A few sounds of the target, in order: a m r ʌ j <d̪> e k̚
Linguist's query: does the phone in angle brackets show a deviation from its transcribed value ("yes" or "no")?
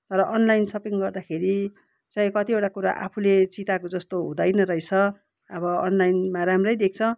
no